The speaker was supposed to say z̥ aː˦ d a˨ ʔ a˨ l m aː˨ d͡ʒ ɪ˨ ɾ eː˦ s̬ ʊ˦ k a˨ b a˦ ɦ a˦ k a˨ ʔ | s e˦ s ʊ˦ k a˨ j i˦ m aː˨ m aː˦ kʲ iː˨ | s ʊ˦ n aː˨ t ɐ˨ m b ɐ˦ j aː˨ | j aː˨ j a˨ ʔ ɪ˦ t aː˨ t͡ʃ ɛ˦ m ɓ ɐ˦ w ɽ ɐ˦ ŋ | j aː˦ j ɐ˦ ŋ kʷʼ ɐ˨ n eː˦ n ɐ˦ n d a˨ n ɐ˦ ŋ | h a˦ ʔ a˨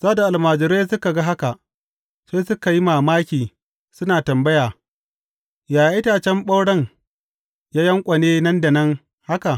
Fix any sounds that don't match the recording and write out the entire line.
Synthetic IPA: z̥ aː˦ d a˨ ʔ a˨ l m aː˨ d͡ʒ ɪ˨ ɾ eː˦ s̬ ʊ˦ k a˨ ɡ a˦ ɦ a˦ k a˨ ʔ | s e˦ s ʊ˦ k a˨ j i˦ m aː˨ m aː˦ kʲ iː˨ | s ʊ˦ n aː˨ t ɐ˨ m b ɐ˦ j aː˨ | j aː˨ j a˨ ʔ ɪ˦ t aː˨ t͡ʃ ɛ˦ m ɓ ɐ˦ w ɽ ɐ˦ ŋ | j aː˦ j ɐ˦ ŋ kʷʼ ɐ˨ n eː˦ n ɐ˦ n d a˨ n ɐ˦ ŋ | h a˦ k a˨

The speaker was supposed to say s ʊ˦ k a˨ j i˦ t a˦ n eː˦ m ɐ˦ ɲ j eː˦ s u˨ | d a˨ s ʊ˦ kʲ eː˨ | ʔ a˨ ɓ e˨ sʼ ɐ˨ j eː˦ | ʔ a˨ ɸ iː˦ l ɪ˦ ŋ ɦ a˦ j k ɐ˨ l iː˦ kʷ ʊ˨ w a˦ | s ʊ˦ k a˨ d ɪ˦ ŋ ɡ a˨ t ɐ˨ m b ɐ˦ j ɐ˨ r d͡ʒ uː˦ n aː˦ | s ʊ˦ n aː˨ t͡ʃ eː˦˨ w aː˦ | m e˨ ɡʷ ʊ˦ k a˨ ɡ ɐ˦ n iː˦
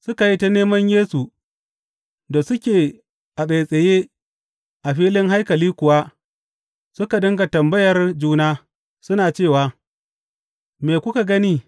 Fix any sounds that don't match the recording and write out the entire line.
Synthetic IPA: s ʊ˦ k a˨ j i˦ t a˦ n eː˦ m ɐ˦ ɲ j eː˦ s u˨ | d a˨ s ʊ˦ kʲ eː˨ | ʔ a˨ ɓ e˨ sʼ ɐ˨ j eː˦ | ʔ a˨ ɸ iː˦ l ɪ˦ ŋ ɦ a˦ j k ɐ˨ l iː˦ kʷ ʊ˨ w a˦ | s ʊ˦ k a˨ d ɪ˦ ŋ ɡ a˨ t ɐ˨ m b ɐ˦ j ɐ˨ r d͡ʒ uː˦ n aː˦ | s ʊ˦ n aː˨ t͡ʃ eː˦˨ w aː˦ | m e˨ kʷ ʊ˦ k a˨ ɡ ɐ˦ n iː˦

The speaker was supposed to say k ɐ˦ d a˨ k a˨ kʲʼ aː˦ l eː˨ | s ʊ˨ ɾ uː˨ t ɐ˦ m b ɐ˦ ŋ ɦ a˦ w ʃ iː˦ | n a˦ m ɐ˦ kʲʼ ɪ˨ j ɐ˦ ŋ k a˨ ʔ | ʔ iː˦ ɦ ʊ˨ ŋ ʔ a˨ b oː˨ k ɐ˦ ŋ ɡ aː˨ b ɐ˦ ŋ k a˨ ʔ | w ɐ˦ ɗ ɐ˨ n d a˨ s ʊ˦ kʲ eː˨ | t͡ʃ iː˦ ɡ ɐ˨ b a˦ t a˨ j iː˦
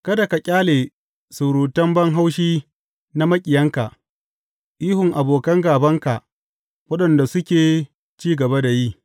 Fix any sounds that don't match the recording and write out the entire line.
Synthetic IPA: k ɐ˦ d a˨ k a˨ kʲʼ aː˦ l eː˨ | s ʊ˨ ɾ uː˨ t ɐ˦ m b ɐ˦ ŋ ɦ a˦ w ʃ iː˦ | n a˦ m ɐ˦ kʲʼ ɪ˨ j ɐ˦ ŋ k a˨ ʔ | ʔ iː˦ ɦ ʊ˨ ŋ ʔ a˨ b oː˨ k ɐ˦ ŋ ɡ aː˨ b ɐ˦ ŋ k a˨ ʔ | w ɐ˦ ɗ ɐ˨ n d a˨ s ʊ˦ kʲ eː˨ | t͡ʃ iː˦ ɡ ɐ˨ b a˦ d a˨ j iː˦

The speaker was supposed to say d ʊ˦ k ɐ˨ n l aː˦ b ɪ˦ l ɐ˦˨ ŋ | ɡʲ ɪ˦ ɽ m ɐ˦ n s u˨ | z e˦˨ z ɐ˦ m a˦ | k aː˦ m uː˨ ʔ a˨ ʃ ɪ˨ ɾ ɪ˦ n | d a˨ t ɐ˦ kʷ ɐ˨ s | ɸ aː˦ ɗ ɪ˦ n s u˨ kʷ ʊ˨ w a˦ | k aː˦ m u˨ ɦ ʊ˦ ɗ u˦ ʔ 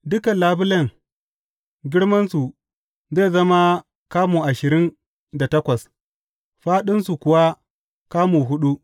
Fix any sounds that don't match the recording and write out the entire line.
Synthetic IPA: d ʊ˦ k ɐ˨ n l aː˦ b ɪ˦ l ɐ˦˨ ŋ | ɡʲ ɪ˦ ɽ m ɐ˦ n s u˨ | z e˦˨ z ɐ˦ m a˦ | k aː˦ m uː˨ ʔ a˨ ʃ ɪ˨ ɾ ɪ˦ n | d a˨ t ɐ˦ kʷ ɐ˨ s | ɸ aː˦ ɗ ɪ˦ n s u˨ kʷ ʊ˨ w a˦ | k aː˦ m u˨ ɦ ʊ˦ ɗ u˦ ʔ

